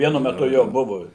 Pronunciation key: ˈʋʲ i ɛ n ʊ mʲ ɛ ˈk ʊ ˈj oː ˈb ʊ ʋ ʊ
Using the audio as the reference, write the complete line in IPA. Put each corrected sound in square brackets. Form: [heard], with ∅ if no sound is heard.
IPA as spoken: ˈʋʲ i ɛ n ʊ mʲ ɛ [ˈt] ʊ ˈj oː ˈb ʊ ʋ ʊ